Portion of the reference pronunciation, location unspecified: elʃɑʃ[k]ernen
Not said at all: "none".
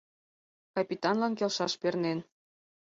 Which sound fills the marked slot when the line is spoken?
p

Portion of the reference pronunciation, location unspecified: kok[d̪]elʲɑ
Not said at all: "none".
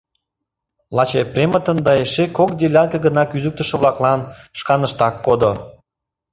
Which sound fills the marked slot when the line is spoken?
d̪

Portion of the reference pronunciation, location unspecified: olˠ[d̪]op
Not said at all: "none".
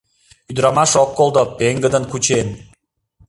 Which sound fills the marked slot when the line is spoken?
d̪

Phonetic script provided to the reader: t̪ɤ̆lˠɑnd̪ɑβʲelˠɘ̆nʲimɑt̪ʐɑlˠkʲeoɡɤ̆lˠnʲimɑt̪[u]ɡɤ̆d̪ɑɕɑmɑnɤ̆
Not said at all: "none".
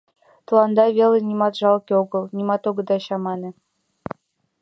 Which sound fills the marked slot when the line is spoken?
o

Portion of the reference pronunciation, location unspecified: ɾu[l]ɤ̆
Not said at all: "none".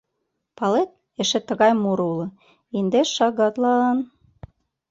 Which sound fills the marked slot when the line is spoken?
l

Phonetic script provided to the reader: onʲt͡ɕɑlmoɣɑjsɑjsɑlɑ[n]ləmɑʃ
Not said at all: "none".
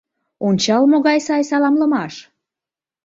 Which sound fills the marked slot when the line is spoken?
m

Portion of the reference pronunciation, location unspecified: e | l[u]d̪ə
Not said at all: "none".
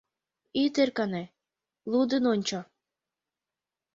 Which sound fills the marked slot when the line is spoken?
u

